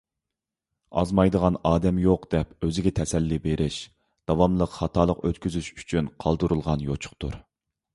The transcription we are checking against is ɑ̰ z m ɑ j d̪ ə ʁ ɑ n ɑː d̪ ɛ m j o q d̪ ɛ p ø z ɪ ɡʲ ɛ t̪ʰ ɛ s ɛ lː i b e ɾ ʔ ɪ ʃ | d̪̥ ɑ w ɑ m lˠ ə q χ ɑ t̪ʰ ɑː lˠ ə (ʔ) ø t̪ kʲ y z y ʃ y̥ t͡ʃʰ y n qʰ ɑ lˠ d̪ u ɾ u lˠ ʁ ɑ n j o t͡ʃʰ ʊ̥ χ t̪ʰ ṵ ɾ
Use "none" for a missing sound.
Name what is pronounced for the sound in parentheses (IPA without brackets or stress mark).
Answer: q